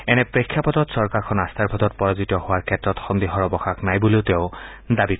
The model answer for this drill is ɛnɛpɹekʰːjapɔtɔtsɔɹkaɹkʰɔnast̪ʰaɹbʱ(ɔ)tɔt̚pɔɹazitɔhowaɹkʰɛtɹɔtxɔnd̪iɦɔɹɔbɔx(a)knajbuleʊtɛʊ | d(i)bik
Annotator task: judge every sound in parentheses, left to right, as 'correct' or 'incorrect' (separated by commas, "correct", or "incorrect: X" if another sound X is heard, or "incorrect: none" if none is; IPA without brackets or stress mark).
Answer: correct, correct, incorrect: a